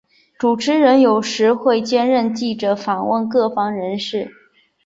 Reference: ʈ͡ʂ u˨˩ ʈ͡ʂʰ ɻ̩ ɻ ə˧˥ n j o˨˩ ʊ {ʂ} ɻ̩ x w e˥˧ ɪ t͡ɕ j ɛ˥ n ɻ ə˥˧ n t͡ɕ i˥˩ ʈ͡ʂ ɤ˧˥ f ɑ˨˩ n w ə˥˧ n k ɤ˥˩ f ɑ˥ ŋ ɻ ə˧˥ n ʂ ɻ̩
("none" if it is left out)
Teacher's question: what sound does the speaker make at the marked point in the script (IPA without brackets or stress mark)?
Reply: ʂ